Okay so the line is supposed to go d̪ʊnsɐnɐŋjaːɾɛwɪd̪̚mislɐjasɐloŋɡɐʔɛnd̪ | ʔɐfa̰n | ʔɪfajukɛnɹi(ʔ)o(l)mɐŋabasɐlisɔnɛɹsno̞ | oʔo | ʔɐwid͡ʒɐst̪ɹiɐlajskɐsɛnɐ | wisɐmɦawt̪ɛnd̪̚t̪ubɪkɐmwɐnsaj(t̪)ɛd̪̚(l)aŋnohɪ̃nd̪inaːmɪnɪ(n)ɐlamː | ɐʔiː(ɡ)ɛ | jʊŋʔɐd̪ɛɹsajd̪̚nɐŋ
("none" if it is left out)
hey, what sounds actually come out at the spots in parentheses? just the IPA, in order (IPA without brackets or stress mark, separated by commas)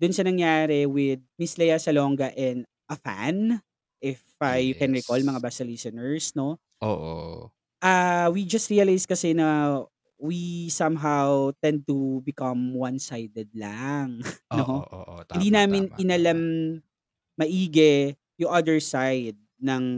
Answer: k, l, d̪, l, n, ɡ